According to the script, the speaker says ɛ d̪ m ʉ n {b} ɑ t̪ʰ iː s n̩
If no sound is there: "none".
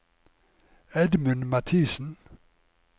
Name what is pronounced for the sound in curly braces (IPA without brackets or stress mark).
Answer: m